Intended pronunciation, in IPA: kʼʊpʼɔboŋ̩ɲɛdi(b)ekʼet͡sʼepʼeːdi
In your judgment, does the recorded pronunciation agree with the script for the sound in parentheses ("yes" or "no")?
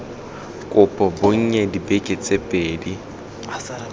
yes